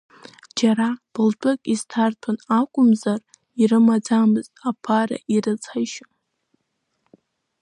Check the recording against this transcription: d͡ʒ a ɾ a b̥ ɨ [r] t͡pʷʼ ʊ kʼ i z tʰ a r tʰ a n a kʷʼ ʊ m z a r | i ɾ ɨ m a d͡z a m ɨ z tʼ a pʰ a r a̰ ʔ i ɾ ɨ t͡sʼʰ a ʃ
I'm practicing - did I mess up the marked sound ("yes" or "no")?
yes